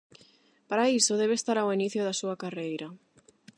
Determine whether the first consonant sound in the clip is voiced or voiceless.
voiceless